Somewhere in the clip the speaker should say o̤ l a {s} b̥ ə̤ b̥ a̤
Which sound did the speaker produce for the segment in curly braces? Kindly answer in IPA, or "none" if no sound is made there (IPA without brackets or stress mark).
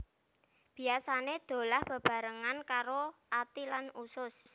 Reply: h